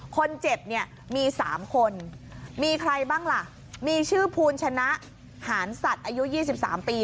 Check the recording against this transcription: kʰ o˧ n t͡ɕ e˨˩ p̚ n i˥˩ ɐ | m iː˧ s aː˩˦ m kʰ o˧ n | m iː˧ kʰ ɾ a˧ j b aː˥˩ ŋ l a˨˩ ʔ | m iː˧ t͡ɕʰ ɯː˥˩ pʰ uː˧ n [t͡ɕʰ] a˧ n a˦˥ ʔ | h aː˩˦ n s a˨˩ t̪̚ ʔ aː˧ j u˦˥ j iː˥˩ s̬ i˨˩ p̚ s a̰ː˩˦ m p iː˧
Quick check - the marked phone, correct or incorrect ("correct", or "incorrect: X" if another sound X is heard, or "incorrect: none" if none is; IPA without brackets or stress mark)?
correct